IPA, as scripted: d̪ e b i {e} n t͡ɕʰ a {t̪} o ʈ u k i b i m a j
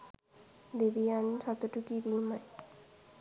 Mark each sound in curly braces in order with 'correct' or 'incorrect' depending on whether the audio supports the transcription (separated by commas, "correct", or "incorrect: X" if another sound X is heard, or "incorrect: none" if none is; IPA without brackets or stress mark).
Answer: incorrect: a, correct